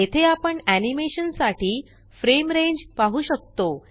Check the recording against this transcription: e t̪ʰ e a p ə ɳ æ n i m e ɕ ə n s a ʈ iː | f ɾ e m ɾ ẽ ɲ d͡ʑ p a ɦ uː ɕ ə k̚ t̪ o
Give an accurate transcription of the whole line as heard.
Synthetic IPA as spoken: e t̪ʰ e a p ə ɳ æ n i m e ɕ ə n s a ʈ iː | f ɾ e m ɾ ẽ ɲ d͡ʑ p a ɦ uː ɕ ə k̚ t̪ o